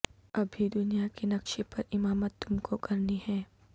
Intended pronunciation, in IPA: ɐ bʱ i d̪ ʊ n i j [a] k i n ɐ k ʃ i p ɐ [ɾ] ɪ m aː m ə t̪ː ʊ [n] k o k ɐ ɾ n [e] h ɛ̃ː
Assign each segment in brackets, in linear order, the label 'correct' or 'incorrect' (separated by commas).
correct, correct, incorrect, incorrect